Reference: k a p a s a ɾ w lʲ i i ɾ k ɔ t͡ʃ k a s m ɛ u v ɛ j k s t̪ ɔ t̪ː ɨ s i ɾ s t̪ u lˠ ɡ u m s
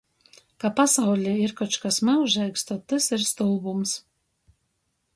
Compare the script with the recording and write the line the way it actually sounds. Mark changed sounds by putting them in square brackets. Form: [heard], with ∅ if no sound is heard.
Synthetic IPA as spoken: k a p a s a [∅] w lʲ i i ɾ k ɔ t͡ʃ k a s m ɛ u [ʒ] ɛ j k s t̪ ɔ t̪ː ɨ s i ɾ s t̪ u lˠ [b] u m s